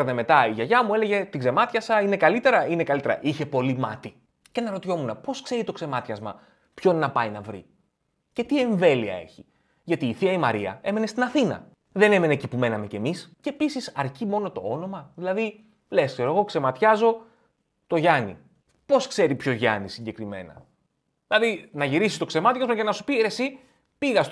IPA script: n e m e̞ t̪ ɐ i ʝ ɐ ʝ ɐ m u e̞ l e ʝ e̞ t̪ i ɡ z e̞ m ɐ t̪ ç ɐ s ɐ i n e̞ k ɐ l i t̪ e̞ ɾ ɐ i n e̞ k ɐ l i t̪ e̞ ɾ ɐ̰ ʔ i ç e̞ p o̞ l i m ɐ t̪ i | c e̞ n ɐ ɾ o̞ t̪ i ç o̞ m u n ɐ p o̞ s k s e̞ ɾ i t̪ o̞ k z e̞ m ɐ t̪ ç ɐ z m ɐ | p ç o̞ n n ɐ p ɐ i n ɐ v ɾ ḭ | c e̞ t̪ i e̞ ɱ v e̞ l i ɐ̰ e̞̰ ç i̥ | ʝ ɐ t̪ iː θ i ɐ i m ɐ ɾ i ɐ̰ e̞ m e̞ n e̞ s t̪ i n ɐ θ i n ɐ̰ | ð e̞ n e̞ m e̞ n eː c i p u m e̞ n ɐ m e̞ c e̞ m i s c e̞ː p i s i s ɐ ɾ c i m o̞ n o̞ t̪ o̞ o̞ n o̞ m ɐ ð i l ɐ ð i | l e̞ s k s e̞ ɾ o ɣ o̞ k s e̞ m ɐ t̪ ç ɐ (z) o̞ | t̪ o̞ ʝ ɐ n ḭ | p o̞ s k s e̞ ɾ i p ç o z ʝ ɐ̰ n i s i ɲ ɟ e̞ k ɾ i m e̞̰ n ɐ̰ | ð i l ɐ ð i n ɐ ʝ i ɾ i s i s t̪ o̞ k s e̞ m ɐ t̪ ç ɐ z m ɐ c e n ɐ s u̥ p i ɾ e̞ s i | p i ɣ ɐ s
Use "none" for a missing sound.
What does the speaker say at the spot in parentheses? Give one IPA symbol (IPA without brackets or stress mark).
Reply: z